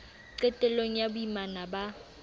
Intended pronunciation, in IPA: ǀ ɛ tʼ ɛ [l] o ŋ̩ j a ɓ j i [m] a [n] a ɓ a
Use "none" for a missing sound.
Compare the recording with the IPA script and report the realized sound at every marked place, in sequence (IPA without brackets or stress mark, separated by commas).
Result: l, m, n